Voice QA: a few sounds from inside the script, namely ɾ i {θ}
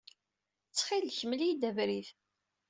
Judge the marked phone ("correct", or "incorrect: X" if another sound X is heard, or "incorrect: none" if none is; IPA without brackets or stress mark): correct